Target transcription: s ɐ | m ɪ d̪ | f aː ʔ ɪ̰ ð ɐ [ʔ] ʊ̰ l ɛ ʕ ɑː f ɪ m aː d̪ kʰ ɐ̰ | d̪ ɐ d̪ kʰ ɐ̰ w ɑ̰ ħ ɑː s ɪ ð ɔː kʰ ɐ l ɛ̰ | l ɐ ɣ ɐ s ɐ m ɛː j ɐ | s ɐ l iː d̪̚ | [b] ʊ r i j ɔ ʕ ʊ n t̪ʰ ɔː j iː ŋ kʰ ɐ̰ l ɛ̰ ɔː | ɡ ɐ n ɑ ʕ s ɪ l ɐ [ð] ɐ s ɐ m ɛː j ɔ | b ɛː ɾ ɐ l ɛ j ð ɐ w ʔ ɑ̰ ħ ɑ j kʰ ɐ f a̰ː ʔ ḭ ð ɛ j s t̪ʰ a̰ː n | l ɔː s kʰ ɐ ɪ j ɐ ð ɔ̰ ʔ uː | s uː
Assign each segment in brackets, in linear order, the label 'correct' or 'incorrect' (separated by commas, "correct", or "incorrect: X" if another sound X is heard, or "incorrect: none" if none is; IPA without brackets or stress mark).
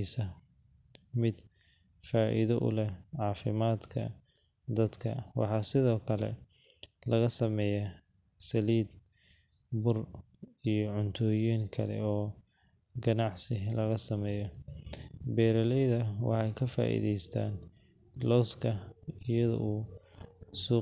correct, correct, incorrect: ɣ